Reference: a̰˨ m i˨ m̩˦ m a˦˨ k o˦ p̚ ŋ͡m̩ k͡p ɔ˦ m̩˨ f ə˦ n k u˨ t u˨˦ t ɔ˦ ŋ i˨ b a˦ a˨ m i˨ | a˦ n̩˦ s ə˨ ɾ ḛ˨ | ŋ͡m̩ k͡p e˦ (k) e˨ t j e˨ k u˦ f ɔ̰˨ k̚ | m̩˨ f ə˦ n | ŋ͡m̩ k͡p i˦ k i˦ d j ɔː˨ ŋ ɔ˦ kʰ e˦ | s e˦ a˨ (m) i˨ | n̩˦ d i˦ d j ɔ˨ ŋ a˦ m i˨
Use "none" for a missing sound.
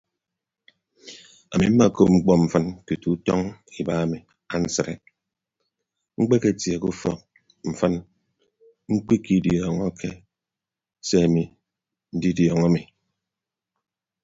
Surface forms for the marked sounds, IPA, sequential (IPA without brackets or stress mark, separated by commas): k, m